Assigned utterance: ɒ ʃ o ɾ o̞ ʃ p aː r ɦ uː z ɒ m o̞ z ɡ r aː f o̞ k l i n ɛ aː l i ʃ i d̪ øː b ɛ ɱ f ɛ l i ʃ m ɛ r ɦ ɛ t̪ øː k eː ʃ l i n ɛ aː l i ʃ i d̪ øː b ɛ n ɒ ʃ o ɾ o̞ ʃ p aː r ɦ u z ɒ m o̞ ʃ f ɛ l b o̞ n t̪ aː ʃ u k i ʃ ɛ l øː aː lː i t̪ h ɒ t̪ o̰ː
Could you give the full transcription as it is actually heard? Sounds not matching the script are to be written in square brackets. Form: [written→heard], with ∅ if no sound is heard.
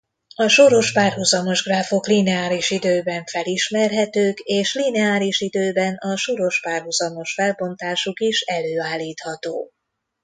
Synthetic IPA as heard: ɒ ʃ o ɾ o̞ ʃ p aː r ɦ [uː→u] z ɒ m o̞ [z→ʒ] ɡ r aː f o̞ k l i n ɛ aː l i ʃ i d̪ øː b ɛ ɱ f ɛ l i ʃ m ɛ r ɦ ɛ t̪ øː k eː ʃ l i n ɛ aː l i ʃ i d̪ øː b ɛ n ɒ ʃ o ɾ o̞ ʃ p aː r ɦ u z ɒ m o̞ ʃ f ɛ l b o̞ n t̪ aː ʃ u k i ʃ ɛ l øː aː lː [i→iː] t̪ h ɒ t̪ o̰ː

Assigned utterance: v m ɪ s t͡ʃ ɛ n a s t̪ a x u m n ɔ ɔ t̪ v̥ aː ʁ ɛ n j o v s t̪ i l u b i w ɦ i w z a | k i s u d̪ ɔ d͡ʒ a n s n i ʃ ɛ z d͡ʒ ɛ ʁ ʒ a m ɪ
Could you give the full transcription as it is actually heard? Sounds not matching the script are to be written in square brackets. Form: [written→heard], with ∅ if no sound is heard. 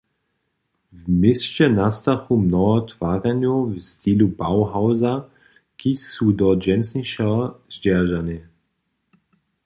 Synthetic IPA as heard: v m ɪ s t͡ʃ ɛ n a s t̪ a x u m n ɔ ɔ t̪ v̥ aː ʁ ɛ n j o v s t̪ i l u b [i→a] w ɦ [i→a] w z a | k i s u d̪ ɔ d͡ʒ [a→ɛ] n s n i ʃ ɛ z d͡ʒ ɛ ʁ ʒ a [m→n] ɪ

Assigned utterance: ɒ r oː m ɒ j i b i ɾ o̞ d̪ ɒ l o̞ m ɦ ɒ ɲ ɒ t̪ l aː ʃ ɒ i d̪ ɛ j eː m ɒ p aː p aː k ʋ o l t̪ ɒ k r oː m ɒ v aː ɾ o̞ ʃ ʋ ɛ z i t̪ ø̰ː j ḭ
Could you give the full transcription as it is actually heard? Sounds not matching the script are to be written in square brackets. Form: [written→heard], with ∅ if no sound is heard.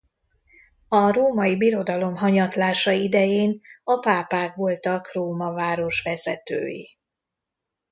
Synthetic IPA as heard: ɒ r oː m ɒ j i b i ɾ o̞ d̪ ɒ l o̞ m ɦ ɒ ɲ ɒ t̪ l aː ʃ ɒ i d̪ ɛ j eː [m→n] ɒ p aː p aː k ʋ o l t̪ ɒ k r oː m ɒ v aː ɾ o̞ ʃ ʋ ɛ z [i→ɛ] t̪ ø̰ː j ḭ

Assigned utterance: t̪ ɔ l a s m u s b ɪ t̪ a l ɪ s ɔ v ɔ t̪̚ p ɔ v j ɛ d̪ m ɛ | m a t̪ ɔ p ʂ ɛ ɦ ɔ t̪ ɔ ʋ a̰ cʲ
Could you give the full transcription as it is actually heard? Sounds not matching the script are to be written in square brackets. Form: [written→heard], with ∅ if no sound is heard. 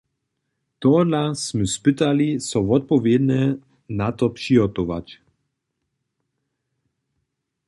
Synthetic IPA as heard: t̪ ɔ l a s m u s [b→p] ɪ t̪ a l [ɪ→i] s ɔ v ɔ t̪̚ p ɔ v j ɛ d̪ [m→n] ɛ | [m→n] a t̪ ɔ p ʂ [ɛ→i] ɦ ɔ t̪ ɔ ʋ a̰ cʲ

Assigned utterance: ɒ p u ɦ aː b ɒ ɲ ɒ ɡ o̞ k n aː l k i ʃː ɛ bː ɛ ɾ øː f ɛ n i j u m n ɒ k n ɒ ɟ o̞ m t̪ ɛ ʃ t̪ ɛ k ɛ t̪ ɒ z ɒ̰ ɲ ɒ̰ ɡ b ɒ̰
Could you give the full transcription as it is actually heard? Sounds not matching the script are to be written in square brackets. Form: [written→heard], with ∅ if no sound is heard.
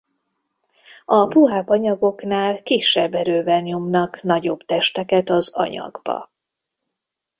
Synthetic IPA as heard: ɒ p u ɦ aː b ɒ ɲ ɒ ɡ o̞ k n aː l k i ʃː ɛ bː ɛ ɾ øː [f→v] ɛ n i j u m n ɒ k n ɒ ɟ o̞ [m→b] t̪ ɛ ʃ t̪ ɛ k ɛ t̪ ɒ z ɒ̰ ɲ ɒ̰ ɡ b ɒ̰

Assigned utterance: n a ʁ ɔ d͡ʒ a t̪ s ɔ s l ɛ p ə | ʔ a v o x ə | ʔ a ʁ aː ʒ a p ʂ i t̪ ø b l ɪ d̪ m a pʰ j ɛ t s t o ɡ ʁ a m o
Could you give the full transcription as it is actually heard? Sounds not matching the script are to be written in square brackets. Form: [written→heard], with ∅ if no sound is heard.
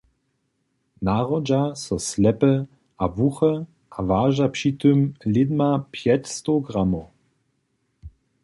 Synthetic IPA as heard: n a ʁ ɔ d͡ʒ a [t̪→∅] s ɔ s l ɛ p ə | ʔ a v [o→u] x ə | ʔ a [ʁ→v] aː ʒ a p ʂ i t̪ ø [b→m] l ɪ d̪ m a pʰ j ɛ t s t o ɡ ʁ a m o

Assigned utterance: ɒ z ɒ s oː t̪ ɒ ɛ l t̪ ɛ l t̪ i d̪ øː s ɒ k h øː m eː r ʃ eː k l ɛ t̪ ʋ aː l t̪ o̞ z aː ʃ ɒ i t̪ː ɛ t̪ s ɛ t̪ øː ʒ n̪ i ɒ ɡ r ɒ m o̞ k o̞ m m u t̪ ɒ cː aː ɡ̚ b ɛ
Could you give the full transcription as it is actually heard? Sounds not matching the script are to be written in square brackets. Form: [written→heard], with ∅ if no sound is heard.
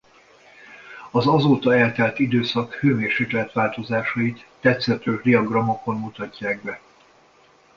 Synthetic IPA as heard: ɒ z ɒ [s→z] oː t̪ ɒ ɛ l t̪ ɛ l t̪ i d̪ øː s ɒ k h øː m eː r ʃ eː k l ɛ t̪ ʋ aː l t̪ o̞ z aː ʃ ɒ i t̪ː ɛ t̪ s ɛ t̪ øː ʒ [n̪→d̪] i ɒ ɡ r ɒ m o̞ k o̞ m m u t̪ ɒ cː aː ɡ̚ b ɛ

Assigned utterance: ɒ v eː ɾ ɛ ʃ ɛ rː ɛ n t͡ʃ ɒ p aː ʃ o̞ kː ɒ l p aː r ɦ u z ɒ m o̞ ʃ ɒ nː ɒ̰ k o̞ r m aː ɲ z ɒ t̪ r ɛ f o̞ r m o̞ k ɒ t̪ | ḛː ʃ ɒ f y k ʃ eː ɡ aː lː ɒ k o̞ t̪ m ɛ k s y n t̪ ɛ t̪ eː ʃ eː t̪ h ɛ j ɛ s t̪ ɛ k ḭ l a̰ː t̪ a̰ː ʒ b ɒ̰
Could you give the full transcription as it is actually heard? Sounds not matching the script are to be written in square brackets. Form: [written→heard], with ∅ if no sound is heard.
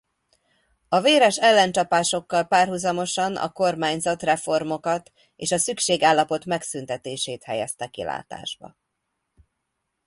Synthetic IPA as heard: ɒ v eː ɾ ɛ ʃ ɛ [rː→lː] ɛ n t͡ʃ ɒ p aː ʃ o̞ kː ɒ l p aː r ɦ u z ɒ m o̞ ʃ ɒ [nː→n] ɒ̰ k o̞ r m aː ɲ z ɒ t̪ r ɛ f o̞ r m o̞ k ɒ t̪ | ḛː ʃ ɒ [f→s] y k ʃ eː ɡ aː lː ɒ [k→p] o̞ t̪ m ɛ k s y n t̪ ɛ t̪ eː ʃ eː t̪ h ɛ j ɛ s t̪ ɛ k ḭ l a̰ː t̪ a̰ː ʒ b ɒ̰

